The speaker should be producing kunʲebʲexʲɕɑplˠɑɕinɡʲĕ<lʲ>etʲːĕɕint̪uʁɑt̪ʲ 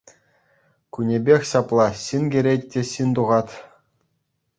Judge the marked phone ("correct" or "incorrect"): incorrect